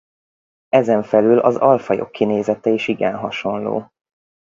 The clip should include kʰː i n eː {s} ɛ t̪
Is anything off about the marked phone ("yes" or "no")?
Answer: yes